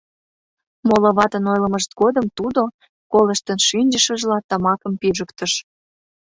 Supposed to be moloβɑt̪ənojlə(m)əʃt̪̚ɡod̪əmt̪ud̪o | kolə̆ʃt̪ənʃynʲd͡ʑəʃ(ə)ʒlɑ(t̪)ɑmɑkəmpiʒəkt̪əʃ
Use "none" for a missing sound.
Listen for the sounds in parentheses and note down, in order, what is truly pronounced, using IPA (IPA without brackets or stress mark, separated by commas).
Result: m, ə, t̪